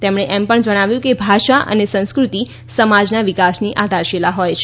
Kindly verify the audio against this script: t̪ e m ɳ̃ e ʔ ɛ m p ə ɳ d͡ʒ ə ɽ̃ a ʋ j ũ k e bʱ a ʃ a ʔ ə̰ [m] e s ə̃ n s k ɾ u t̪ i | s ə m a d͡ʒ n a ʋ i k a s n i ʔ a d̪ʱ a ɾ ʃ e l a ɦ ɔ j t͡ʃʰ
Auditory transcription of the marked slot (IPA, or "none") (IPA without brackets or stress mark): n